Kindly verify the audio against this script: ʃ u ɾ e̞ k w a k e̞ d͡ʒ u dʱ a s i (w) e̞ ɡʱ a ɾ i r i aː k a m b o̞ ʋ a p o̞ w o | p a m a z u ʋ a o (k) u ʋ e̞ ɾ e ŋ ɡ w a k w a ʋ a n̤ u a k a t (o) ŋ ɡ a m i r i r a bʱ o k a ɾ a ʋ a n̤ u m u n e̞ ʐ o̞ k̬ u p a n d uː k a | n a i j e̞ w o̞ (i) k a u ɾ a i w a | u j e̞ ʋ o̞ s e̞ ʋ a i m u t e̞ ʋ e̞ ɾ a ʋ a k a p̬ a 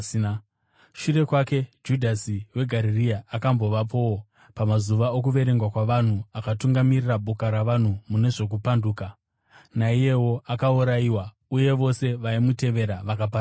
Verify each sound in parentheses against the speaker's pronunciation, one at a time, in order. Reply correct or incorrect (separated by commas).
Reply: correct, correct, incorrect, incorrect